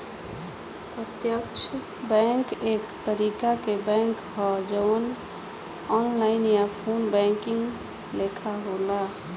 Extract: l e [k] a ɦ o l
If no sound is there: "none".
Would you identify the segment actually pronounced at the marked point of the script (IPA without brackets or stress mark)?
kʰ